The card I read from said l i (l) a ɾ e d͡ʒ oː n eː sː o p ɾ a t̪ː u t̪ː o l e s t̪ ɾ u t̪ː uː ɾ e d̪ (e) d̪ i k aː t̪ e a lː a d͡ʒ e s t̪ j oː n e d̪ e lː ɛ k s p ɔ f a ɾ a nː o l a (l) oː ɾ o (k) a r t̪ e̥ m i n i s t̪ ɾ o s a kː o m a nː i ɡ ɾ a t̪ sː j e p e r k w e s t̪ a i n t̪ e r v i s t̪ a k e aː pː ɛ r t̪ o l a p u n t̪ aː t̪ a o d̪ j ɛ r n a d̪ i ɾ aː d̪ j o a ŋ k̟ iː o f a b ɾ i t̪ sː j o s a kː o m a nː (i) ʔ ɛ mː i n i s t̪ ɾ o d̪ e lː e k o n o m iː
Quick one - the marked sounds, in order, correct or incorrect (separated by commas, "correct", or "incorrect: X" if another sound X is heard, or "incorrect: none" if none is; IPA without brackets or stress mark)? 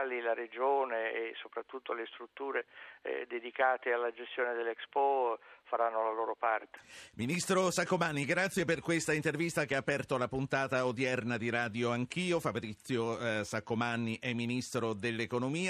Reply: correct, correct, correct, incorrect: p, correct